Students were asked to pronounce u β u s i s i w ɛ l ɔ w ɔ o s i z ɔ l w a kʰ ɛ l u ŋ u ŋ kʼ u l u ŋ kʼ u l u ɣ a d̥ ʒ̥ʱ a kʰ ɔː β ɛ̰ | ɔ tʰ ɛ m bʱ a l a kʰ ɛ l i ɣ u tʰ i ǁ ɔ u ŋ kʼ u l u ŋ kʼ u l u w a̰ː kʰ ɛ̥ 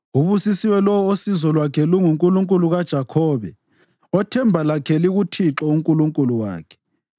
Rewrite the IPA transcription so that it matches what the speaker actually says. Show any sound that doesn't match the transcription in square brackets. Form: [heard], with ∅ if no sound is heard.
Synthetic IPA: u β u s i s i w ɛ l ɔ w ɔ o s i z ɔ l w a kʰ ɛ l u ŋ u ŋ kʼ u l u ŋ kʼ u l u ɣ a d̥ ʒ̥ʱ a kʰ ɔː β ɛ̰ | ɔ tʰ ɛ m bʱ a l a kʰ ɛ l i ɣ u tʰ i ǁ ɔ u ŋ kʼ u l u ŋ kʼ u l u w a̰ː kʰ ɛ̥